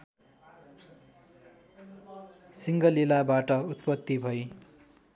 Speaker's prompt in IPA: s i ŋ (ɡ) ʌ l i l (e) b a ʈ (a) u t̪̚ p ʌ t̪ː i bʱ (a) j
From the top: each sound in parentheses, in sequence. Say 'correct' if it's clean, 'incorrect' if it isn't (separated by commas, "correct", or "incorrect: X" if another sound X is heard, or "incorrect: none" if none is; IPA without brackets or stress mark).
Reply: correct, incorrect: a, incorrect: ʌ, incorrect: ʌ